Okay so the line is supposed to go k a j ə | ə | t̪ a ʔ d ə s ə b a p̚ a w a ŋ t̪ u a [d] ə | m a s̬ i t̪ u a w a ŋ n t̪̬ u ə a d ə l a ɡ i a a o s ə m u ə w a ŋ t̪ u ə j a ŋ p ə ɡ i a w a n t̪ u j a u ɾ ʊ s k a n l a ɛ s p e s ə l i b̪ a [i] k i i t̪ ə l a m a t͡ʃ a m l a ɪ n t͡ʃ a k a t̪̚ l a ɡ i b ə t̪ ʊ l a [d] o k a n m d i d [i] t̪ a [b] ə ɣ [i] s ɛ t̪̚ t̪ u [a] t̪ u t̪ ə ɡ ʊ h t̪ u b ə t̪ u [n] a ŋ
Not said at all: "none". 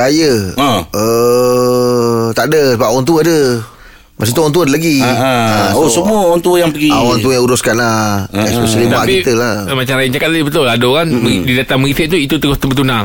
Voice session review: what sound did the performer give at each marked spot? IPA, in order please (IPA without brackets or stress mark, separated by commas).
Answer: d, a, d, a, m, i, i, n